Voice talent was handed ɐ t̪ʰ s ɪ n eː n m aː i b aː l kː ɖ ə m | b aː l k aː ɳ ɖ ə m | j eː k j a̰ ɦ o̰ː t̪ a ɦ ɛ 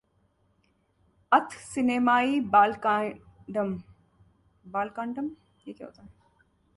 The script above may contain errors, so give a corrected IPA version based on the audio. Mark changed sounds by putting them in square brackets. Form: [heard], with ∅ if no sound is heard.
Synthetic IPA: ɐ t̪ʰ s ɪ n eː [∅] m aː i b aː l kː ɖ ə m | b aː l k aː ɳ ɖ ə m | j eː k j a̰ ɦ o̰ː t̪ a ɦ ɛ